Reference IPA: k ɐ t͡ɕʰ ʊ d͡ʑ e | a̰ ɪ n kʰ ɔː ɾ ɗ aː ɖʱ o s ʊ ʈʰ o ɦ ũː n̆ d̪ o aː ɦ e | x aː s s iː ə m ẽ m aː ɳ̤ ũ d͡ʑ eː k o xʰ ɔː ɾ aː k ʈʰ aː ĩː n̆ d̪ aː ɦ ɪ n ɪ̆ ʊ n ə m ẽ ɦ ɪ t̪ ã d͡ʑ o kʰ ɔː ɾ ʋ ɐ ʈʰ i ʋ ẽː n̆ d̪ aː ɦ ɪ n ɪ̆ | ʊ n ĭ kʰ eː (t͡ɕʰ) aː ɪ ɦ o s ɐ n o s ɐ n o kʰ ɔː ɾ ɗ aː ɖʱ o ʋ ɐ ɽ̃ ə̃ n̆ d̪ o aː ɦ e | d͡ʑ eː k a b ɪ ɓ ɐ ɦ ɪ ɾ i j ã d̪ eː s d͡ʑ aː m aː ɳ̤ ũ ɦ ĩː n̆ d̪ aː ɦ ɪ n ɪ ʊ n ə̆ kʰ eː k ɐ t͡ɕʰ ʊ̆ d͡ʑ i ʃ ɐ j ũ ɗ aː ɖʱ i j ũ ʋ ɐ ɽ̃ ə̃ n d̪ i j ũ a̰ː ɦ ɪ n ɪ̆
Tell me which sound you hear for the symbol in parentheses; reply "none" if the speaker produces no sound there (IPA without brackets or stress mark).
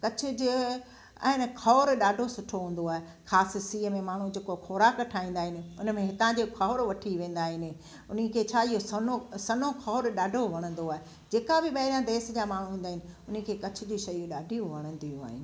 t͡ɕʰ